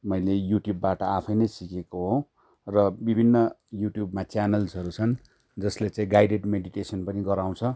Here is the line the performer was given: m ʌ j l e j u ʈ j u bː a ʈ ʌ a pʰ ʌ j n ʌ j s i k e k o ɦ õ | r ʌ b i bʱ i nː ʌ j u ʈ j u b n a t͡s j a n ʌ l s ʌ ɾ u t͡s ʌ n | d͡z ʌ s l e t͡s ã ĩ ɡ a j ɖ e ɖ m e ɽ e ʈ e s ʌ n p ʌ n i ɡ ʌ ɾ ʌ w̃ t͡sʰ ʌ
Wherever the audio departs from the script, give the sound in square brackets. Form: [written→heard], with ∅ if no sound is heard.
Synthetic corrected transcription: m ʌ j l e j u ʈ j u bː a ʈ ʌ a pʰ ʌ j n ʌ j s i k e k o ɦ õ | r ʌ b i bʱ i nː ʌ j u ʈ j u b [n→m] a t͡s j a n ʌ l s ʌ ɾ u [t͡s→t͡sʰ] ʌ n | d͡z ʌ s l e t͡s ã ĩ ɡ a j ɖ e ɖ m e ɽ [e→i] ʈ e s ʌ n p ʌ n i ɡ ʌ ɾ [ʌ→a] w̃ t͡sʰ ʌ